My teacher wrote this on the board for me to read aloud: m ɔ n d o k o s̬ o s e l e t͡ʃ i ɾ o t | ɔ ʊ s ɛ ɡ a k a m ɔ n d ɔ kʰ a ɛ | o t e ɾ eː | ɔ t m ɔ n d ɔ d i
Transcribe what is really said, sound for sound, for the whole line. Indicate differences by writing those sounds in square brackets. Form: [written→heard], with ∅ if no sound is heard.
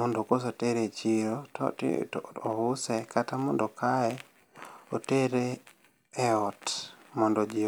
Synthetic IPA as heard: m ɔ n d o k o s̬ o [s→t] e [l→ɾ] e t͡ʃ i ɾ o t | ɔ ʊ s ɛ [ɡ→k] a [k→t] a m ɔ n d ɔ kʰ a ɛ | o t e ɾ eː | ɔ t m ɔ n d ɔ [d→d͡ʒ] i